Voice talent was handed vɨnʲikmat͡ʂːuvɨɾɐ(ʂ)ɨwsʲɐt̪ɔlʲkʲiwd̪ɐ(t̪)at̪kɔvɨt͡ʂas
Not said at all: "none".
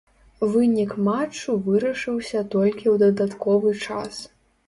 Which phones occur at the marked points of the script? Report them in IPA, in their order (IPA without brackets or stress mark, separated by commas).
ʂ, d̪